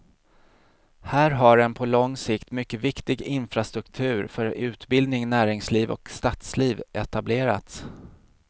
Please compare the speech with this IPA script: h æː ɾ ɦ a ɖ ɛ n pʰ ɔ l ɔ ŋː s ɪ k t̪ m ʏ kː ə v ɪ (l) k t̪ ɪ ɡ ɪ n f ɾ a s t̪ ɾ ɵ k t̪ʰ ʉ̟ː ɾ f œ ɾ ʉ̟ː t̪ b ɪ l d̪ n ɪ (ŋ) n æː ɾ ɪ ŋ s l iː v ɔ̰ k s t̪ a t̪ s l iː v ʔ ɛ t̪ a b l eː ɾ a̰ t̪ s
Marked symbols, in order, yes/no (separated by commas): no, yes